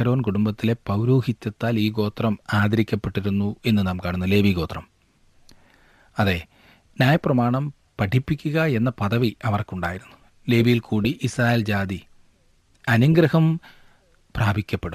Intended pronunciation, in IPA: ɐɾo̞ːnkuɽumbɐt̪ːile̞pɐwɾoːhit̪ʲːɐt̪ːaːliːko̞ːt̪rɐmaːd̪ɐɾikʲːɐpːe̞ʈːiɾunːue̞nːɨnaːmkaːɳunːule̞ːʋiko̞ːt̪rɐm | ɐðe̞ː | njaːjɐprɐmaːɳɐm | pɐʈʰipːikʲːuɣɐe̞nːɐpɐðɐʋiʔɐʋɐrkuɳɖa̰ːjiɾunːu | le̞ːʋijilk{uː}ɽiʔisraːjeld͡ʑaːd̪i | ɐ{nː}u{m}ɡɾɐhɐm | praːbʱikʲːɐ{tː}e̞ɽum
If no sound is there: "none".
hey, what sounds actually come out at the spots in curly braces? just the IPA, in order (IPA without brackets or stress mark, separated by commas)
uː, n, ŋ, pː